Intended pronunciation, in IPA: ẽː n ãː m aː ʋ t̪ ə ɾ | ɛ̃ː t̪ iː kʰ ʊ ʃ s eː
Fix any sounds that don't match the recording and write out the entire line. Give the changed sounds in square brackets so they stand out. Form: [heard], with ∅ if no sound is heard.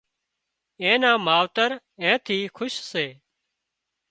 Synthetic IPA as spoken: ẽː n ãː m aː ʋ t̪ ə ɾ | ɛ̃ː [t̪ʰ] iː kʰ ʊ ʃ s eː